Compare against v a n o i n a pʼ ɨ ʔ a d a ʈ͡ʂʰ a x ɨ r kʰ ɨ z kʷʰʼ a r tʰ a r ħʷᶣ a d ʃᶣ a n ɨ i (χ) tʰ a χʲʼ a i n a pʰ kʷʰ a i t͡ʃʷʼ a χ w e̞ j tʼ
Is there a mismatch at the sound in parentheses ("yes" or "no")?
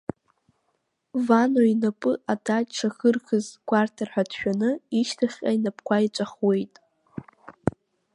yes